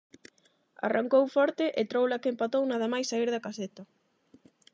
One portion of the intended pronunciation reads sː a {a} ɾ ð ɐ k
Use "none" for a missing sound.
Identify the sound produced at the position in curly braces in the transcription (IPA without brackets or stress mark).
i